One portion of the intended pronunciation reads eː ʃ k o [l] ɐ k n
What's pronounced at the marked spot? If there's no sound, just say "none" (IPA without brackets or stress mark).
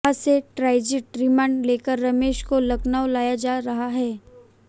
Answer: l